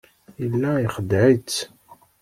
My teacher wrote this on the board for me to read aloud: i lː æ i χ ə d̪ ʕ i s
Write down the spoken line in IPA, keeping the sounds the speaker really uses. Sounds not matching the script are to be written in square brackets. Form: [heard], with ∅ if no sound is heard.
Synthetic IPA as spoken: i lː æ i χ ə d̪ ʕ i [t͡s]